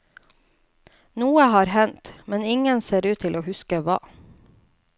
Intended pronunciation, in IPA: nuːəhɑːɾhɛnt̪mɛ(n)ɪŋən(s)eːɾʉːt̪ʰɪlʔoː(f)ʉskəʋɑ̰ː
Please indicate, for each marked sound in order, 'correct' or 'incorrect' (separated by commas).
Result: correct, correct, incorrect